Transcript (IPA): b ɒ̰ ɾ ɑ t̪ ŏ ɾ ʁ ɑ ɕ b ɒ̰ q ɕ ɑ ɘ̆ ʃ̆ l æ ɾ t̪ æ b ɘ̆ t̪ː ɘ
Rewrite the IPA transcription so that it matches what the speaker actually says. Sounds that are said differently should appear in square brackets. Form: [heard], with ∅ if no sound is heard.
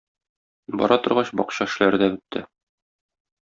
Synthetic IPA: b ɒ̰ ɾ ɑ t̪ ŏ ɾ ʁ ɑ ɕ b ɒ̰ q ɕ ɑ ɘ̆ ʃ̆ l æ ɾ [d̪] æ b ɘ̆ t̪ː ɘ